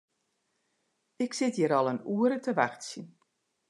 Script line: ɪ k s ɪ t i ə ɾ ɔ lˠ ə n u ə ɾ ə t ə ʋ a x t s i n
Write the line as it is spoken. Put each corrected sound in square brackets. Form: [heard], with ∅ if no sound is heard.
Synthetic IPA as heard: ɪ k s ɪ t [j] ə ɾ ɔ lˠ ə n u ə ɾ ə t ə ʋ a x t s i n